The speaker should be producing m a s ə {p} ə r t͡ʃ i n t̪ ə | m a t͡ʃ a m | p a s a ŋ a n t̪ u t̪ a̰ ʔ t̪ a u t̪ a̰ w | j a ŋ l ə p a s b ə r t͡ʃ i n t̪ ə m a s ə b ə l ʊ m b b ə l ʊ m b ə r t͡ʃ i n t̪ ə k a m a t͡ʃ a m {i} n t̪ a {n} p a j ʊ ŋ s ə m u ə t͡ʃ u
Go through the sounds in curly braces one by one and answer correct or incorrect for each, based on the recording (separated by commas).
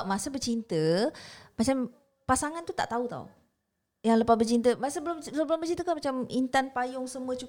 incorrect, correct, correct